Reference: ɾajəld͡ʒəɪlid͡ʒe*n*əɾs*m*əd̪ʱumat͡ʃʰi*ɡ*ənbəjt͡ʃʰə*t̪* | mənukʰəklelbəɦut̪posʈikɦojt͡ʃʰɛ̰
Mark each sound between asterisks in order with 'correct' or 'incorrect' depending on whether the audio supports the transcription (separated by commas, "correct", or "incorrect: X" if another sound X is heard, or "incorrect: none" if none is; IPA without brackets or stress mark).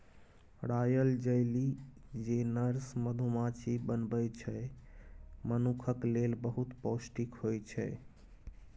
correct, correct, incorrect: b, incorrect: none